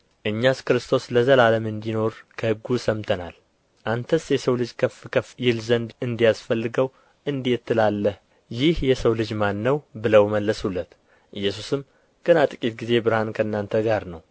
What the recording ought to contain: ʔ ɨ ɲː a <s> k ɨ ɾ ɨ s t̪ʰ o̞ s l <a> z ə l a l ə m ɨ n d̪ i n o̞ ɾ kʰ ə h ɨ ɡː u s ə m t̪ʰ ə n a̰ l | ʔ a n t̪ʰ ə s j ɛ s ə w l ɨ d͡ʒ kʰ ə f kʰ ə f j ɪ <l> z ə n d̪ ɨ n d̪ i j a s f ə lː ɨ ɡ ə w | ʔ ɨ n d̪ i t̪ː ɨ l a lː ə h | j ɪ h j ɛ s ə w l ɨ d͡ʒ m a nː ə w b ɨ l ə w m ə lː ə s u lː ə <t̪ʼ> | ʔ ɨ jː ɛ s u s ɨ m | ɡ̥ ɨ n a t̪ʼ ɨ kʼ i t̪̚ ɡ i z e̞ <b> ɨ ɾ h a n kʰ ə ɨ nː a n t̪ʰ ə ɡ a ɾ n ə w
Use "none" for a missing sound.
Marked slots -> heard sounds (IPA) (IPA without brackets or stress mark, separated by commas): s, ə, l, t̪, b